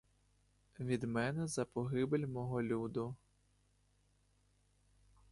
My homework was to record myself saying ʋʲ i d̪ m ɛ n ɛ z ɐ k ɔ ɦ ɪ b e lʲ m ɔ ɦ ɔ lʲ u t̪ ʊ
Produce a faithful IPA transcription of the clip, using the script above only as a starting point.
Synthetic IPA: ʋʲ i d̪ m ɛ n ɛ z ɐ p ɔ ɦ ɪ b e lʲ m ɔ ɦ ɔ lʲ u d̪ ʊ

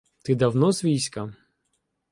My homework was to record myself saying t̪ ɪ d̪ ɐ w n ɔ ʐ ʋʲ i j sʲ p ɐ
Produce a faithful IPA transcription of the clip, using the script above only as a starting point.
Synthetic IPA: t̪ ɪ d̪ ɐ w n ɔ z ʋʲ i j sʲ k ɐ

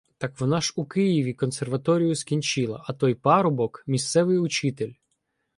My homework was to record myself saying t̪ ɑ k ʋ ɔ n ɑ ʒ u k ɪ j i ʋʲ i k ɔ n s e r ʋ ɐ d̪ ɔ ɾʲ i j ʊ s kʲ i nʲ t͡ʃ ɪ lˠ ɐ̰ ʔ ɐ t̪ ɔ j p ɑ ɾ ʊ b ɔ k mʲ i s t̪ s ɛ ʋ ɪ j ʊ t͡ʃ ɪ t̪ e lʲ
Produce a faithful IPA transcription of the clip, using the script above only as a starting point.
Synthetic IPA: t̪ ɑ k ʋ ɔ n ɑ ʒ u k ɪ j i ʋʲ i k ɔ n s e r ʋ ɐ t̪ ɔ ɾʲ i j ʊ s kʲ i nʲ t͡ʃ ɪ lˠ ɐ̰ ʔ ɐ t̪ ɔ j p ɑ ɾ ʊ b ɔ k mʲ i s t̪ s ɛ ʋ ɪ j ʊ t͡ʃ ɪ t̪ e lʲ

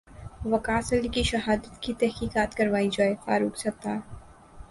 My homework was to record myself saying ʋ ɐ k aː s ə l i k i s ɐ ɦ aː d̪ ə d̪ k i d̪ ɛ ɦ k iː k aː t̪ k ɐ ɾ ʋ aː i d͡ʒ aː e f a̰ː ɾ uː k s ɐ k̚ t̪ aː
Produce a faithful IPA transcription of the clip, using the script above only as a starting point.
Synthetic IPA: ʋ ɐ k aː s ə l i k i ʃ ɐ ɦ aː d̪ ə t̪ k i t̪ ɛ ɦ k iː k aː t̪ k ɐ ɾ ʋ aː i d͡ʒ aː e f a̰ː ɾ uː k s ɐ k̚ t̪ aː

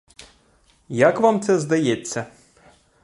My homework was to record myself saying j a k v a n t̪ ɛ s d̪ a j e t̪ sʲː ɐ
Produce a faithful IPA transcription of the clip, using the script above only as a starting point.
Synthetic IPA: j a k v a m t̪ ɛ z d̪ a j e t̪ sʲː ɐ

